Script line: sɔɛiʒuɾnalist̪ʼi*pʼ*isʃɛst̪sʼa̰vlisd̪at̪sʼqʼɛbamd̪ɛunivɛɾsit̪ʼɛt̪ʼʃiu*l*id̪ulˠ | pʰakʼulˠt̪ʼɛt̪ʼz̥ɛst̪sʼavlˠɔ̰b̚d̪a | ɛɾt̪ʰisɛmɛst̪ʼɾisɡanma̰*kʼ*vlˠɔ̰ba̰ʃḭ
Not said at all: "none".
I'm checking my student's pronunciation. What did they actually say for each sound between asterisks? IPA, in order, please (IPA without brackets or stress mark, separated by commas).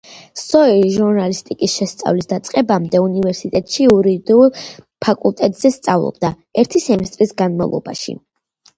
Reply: kʼ, ɾ, none